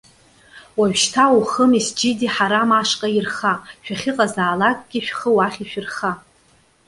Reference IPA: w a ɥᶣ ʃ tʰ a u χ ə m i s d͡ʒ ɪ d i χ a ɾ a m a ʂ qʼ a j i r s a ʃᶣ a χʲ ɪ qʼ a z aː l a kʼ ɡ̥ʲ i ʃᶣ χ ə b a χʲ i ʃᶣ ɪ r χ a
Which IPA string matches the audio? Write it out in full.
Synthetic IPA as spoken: w a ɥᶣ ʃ tʰ a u χ ə m i s d͡ʒ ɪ d i ħ a ɾ a m a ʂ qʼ a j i r χ a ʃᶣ a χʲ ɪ qʼ a z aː l a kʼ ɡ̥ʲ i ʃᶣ χ ə w a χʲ i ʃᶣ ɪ r χ a